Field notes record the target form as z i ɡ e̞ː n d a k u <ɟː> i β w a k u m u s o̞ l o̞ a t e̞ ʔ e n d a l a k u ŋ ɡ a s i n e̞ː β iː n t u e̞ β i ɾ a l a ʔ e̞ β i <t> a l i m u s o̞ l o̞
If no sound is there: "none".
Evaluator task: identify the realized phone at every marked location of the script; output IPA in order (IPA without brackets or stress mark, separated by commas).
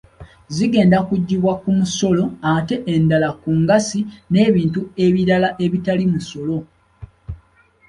ɟː, t